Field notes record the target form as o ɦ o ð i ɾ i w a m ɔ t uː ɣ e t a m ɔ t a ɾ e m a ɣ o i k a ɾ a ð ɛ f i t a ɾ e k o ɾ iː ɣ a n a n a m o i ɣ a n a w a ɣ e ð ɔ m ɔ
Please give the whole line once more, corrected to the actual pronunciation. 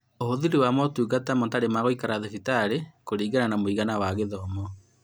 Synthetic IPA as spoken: o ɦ o ð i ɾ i w a m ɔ t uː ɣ a t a m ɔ t a ɾ e m a ɣ o i k a ɾ a ð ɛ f i t a ɾ e k o ɾ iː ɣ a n a n a m o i ɣ a n a w a ɣ e ð ɔ m ɔ